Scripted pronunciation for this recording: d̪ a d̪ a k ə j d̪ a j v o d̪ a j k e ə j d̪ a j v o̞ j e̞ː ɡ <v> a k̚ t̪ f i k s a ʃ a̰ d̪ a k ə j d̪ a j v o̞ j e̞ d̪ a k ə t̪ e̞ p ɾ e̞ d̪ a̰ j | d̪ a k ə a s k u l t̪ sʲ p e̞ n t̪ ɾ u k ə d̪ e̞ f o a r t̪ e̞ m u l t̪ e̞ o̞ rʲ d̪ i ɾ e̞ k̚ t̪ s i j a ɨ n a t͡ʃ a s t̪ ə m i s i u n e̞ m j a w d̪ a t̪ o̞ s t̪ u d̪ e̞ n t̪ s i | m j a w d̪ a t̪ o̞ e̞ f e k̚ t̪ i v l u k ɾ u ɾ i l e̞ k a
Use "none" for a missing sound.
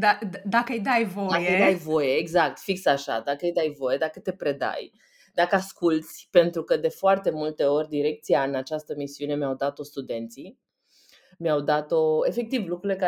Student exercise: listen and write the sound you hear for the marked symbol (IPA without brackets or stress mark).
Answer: z